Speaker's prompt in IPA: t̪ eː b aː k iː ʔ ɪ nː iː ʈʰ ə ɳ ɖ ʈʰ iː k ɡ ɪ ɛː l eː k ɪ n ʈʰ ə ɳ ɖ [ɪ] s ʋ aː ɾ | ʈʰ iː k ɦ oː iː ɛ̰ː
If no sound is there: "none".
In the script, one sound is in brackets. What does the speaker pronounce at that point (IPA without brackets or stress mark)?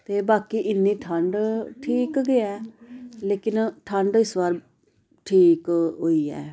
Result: ɪ